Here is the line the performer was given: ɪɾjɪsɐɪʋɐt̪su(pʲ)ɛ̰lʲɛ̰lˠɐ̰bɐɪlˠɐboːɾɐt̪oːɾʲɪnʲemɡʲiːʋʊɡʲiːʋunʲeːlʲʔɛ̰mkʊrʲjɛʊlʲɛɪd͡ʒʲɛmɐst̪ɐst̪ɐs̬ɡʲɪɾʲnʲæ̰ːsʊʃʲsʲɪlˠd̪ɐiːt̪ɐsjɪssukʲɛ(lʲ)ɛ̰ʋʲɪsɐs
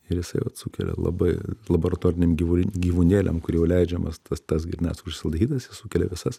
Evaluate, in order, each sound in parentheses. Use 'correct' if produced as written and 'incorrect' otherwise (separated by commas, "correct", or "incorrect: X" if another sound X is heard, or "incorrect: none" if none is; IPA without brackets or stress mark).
incorrect: kʲ, correct